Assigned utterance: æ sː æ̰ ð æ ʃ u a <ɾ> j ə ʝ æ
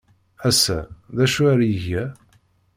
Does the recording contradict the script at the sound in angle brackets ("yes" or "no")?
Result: no